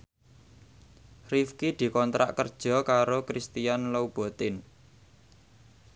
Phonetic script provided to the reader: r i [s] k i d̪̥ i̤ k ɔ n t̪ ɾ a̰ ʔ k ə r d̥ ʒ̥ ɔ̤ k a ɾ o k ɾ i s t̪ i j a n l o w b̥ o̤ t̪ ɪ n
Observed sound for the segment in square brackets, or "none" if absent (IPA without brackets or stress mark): f